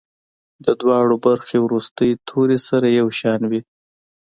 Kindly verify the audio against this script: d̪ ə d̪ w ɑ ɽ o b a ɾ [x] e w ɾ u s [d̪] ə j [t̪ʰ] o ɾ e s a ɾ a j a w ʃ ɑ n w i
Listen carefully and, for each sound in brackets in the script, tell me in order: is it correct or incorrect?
correct, incorrect, correct

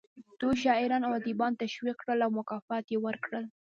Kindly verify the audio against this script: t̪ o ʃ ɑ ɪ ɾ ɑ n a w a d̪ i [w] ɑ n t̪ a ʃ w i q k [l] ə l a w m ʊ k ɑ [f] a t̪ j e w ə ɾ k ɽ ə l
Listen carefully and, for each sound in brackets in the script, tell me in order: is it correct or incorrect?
incorrect, incorrect, correct

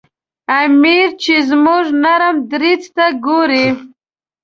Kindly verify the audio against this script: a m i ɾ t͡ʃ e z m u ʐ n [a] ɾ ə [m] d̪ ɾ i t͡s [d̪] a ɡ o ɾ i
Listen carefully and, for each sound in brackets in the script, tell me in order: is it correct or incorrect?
correct, correct, incorrect

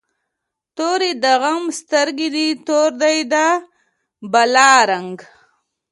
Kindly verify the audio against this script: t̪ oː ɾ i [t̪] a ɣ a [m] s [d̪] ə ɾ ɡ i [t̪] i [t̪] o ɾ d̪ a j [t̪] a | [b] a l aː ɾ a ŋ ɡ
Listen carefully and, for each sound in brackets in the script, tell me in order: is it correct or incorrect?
incorrect, correct, incorrect, incorrect, correct, incorrect, correct

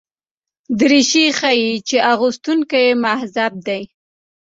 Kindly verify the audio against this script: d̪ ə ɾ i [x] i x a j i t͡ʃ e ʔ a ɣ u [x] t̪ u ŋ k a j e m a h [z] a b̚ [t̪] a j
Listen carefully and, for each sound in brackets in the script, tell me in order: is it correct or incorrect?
incorrect, incorrect, correct, incorrect

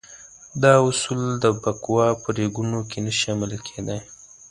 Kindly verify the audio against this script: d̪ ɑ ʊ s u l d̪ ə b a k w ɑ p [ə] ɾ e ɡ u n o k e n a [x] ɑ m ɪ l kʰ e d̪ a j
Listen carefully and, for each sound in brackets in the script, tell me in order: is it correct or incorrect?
correct, incorrect

